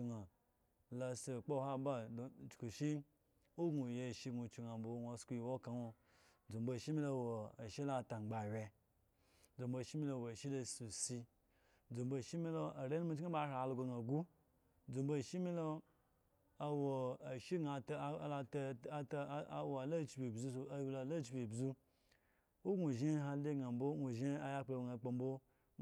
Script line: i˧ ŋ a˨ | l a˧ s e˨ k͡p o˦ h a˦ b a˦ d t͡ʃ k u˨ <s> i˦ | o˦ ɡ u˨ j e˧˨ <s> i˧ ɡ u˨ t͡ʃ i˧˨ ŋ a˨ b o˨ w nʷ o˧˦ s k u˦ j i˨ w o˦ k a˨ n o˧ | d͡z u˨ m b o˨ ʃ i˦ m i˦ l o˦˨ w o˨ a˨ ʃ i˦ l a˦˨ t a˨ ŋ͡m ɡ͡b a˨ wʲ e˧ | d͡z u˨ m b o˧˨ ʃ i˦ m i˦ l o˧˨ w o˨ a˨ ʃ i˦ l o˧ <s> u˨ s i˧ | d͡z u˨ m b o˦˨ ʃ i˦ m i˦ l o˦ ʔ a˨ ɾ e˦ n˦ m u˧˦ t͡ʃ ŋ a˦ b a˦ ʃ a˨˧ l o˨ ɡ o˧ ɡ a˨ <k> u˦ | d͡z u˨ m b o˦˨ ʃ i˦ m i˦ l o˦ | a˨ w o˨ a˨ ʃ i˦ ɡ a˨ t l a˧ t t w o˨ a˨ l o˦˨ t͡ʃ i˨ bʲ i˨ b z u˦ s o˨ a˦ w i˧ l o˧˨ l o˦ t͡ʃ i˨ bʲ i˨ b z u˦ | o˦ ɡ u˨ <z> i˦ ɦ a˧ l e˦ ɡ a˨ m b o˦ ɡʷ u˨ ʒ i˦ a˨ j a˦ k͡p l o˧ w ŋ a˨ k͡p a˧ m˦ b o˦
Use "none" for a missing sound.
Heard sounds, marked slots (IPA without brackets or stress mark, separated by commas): ʃ, ʃ, s, ɡ, ʒ